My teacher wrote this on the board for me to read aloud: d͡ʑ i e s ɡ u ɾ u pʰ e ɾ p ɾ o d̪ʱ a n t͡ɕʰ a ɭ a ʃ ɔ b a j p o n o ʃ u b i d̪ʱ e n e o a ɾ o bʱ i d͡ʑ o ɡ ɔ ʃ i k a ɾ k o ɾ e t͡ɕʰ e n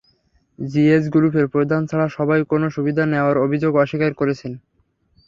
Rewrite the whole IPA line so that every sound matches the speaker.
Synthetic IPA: d͡ʑ i e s ɡ u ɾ u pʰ e ɾ p ɾ o d̪ʱ a n t͡ɕʰ a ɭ a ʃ ɔ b a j k o n o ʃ u b i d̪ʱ a n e o a ɾ o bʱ i d͡ʑ o ɡ ɔ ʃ i k a ɾ k o ɾ e t͡ɕʰ e n